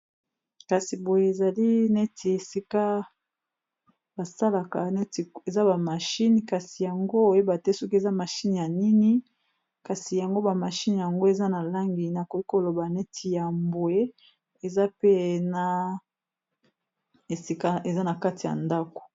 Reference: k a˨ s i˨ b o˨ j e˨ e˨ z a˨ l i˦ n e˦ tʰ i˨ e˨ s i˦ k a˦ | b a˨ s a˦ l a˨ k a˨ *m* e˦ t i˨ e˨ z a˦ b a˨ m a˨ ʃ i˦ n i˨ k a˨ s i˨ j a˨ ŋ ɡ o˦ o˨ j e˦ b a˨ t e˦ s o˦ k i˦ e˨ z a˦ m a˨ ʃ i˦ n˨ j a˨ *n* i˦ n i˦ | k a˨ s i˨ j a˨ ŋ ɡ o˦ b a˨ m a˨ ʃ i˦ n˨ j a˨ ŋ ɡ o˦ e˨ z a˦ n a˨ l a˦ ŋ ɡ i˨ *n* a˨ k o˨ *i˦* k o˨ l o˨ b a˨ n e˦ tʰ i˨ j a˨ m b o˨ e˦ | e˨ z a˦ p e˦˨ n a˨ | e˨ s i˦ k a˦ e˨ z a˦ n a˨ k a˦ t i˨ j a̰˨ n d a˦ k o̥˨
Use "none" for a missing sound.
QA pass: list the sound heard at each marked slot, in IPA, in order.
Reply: n, n, n, i˦

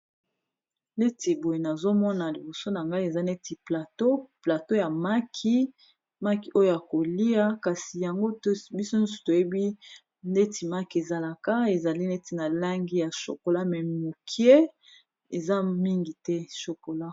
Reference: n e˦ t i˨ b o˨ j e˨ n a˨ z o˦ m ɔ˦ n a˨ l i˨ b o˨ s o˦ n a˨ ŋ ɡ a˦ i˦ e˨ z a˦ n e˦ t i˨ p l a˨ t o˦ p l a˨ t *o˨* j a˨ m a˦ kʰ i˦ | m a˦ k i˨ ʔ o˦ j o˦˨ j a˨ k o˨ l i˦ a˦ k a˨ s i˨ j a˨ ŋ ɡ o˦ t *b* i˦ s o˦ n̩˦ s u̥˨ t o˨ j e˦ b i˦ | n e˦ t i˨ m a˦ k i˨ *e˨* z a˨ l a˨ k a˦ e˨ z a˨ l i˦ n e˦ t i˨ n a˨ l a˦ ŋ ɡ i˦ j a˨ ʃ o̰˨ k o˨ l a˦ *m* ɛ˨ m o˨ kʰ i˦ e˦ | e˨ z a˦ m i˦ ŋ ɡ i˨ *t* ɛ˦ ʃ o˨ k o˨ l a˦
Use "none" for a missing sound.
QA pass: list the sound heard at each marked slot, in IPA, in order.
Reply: o˦, b, e˨, m, t

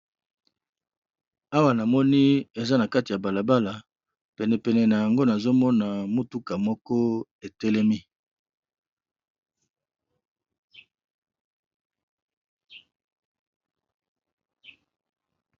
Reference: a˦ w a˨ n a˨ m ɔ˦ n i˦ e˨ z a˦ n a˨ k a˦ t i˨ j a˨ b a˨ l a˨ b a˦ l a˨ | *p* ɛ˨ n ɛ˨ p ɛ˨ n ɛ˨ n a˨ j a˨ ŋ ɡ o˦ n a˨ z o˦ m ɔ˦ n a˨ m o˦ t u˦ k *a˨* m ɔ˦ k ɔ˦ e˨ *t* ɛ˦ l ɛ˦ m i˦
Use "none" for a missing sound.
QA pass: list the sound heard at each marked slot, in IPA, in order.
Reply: p, a˨, t

